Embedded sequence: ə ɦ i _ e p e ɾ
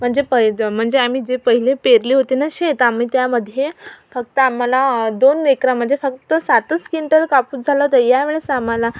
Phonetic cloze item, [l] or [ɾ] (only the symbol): l